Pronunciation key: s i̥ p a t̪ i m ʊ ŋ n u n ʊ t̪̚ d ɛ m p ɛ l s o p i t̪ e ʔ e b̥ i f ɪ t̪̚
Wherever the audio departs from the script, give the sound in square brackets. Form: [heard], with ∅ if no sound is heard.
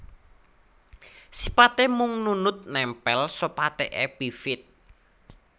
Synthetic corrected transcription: s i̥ p a t̪ [e] m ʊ ŋ n u n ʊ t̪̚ [n] ɛ m p ɛ l s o p [a] t̪ e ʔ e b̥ i f ɪ t̪̚